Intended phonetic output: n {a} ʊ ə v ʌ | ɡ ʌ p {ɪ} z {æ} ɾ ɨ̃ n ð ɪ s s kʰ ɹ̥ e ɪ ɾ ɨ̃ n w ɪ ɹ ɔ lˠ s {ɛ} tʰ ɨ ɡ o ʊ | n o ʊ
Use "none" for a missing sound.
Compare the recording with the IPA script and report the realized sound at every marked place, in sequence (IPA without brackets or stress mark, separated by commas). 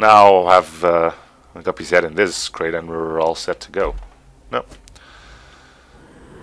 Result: a, i, ɛ, ɛ